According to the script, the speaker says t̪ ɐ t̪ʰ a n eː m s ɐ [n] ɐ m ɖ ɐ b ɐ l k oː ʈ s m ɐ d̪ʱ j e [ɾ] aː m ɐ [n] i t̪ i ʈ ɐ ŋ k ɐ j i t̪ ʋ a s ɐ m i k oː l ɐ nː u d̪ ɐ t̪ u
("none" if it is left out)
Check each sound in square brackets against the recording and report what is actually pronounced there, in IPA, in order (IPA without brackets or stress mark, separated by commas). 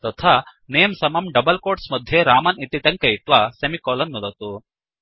m, ɾ, n